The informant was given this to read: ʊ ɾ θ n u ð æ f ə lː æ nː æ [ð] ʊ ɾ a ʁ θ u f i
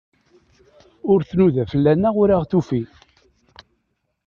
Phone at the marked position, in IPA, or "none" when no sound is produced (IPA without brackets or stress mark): ʁ